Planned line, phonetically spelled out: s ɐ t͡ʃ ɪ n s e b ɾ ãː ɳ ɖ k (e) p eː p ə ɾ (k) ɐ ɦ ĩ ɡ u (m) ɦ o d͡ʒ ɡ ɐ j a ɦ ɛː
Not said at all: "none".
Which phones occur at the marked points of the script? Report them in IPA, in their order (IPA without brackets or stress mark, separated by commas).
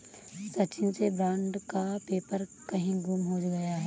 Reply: a, k, m